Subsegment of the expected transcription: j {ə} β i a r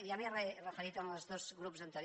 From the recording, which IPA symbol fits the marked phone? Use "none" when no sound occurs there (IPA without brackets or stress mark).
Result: a